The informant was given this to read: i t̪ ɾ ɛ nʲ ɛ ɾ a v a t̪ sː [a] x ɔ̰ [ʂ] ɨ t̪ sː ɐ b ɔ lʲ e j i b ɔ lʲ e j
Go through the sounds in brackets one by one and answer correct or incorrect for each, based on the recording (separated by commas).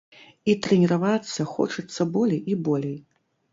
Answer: incorrect, incorrect